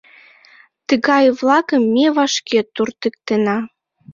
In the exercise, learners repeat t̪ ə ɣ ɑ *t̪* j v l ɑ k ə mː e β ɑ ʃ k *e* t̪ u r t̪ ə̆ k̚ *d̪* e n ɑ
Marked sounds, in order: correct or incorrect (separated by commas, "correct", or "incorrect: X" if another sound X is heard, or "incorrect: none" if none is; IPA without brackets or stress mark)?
incorrect: none, correct, incorrect: t̪